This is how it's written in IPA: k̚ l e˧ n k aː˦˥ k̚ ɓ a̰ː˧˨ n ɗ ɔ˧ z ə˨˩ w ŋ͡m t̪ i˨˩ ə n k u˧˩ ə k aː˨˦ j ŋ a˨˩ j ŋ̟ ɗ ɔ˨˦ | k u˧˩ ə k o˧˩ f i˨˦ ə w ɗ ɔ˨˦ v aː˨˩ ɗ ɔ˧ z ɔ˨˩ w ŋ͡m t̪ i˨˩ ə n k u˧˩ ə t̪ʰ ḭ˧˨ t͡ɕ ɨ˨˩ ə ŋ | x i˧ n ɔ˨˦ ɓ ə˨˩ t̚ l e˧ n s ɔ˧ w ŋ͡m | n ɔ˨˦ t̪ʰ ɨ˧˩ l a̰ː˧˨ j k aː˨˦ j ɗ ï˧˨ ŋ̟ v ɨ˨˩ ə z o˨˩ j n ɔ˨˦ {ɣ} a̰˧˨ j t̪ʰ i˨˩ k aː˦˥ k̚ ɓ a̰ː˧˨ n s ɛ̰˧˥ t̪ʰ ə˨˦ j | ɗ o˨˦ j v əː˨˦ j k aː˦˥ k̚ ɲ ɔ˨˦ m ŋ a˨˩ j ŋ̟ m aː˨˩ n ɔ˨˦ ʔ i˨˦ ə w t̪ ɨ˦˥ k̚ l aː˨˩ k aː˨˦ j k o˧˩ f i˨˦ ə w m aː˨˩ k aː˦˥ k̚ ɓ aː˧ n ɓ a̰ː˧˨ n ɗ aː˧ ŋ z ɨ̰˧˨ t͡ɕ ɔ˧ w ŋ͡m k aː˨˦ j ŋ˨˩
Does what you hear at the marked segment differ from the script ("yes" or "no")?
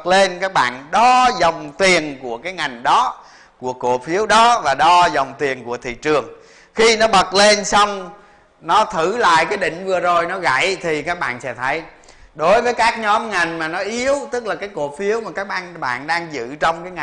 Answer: no